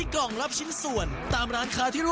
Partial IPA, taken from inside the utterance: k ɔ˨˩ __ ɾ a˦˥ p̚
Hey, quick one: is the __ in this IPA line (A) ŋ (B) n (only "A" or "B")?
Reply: A